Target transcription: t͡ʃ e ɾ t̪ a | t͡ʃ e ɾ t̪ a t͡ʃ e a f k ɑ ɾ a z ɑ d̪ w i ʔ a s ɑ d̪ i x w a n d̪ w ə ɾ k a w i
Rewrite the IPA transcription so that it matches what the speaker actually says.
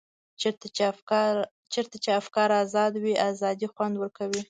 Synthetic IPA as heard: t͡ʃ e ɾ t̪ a | t͡ʃ e ɾ t̪ a t͡ʃ e a f k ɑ ɾ a z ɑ d̪ w i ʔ a z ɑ d̪ i x w a n d̪ w ə ɾ k a w i